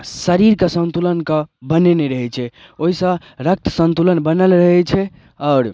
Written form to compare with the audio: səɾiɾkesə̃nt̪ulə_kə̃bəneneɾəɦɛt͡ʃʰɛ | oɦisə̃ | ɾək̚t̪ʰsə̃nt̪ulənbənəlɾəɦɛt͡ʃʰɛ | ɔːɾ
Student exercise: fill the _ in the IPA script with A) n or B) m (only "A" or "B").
A